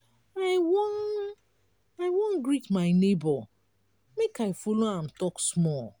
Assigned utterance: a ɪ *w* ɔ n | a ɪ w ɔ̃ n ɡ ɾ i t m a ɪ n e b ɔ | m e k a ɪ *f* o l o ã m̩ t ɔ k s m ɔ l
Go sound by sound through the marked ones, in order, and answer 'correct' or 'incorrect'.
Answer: correct, correct

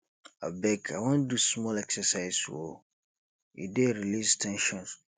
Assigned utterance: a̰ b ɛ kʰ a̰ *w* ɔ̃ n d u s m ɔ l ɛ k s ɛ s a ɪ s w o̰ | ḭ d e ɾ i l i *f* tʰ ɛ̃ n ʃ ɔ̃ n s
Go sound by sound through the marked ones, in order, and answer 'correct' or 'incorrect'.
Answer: correct, incorrect: s

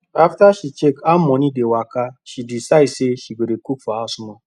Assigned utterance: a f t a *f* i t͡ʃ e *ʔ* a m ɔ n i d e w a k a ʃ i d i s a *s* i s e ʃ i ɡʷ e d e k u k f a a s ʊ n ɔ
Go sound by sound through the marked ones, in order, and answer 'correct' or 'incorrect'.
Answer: incorrect: ʃ, incorrect: k, incorrect: none

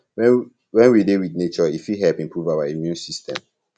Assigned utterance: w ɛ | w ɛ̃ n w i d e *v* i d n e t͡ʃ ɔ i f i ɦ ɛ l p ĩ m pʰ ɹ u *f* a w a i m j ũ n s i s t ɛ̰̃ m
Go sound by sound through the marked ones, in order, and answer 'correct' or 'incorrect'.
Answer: incorrect: w, incorrect: v

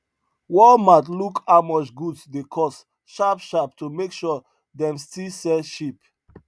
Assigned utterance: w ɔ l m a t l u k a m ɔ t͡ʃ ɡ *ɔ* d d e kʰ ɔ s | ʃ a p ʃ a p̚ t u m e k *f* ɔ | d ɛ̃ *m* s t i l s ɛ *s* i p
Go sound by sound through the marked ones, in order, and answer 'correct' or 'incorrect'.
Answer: incorrect: u, incorrect: ʃ, correct, incorrect: ʃ

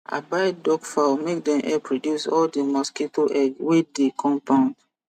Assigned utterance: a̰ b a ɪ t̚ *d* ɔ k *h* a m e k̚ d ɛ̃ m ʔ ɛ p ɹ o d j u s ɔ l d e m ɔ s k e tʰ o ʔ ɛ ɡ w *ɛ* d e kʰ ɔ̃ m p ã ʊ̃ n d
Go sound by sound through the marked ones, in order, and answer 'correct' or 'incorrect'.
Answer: correct, incorrect: f, incorrect: e

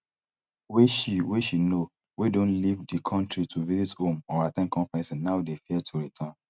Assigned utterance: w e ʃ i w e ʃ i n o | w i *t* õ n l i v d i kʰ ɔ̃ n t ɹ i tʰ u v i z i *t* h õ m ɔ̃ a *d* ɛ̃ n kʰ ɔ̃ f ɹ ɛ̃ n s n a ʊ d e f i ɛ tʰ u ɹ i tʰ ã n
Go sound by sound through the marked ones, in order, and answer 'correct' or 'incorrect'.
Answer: incorrect: d, correct, incorrect: t

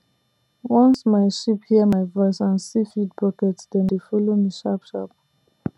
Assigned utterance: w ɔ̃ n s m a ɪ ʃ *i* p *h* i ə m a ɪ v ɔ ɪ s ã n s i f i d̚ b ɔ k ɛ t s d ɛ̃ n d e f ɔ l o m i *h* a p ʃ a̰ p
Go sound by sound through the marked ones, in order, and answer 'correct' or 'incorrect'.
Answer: correct, correct, incorrect: ʃ

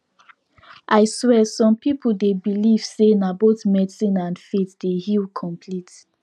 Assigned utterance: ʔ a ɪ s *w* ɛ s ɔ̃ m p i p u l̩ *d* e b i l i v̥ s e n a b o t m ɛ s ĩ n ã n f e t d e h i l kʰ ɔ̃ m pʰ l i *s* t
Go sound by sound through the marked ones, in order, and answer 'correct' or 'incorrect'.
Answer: correct, correct, incorrect: none

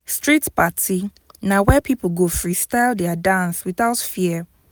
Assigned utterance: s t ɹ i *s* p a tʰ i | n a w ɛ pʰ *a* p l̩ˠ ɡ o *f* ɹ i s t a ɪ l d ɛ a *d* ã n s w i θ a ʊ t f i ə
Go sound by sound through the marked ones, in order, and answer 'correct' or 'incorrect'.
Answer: incorrect: t, incorrect: i, correct, correct

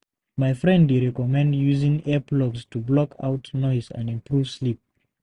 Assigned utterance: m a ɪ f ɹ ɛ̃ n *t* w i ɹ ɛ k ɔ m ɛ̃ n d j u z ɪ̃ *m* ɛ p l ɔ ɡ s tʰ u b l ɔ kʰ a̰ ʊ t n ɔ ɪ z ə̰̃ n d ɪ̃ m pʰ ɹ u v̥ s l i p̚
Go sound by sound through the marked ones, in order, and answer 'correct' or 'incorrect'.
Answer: incorrect: d, incorrect: ŋ

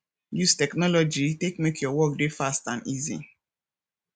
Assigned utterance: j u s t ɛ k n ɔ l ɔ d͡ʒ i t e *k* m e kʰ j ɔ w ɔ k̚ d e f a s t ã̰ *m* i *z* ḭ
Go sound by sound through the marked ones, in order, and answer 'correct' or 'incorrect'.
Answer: correct, incorrect: n, correct

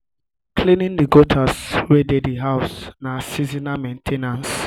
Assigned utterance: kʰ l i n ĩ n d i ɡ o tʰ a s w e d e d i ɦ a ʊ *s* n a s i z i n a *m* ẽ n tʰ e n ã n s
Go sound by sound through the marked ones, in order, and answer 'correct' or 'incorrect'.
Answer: correct, correct

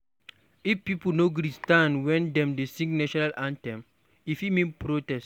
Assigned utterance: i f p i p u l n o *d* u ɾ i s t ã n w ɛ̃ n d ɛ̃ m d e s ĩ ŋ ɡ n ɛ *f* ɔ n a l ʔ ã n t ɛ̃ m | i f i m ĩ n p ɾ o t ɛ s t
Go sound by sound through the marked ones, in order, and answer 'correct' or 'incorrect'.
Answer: incorrect: ɡ, incorrect: ʃ

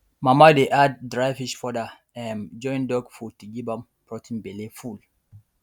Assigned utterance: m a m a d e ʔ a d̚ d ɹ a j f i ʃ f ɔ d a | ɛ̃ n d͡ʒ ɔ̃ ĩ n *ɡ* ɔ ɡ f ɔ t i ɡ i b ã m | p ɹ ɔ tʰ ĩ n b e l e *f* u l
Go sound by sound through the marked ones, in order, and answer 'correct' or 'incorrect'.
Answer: incorrect: d, correct

